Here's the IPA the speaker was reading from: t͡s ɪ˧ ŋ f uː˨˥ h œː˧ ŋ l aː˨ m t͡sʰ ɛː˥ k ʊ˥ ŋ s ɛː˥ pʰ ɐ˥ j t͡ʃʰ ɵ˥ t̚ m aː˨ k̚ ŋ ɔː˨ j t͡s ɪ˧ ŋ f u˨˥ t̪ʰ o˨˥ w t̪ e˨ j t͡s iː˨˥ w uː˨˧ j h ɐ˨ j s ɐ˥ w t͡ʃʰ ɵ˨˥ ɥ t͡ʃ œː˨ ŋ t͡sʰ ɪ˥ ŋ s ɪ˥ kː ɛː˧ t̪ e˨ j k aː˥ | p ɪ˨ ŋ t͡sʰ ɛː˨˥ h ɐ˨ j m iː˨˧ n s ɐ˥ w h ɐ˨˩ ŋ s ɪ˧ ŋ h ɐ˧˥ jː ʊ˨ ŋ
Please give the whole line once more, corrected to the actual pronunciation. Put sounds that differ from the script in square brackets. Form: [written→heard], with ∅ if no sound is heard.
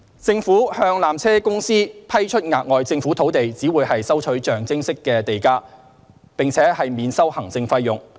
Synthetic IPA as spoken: t͡s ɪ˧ ŋ f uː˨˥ h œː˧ ŋ l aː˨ m t͡sʰ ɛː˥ k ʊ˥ ŋ s [ɛː˥→iː˥] pʰ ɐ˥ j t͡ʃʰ ɵ˥ t̚ [m→ŋ] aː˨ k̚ ŋ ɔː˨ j t͡s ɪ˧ ŋ f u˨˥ t̪ʰ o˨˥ w t̪ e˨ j t͡s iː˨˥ w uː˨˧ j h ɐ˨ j s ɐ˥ w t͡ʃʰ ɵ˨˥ ɥ t͡ʃ œː˨ ŋ [t͡sʰ→t͡s] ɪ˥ ŋ s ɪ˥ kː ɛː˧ t̪ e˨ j k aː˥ | p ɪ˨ ŋ t͡sʰ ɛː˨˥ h ɐ˨ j m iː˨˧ n s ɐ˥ w h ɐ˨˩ ŋ [s→t͡s] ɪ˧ ŋ [h→f] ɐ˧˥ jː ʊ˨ ŋ